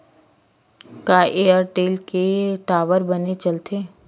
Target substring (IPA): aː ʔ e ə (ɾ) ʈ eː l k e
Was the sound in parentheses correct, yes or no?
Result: yes